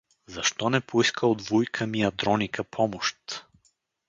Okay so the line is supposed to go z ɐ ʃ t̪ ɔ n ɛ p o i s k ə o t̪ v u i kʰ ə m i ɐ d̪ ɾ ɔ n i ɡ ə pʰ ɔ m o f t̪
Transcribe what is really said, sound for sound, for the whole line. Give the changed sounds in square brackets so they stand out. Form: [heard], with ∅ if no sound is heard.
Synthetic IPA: z ɐ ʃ t̪ ɔ n ɛ p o i s k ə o [d̪] v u [j] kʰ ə m i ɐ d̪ ɾ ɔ n i [k] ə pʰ ɔ m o [ʃ] t̪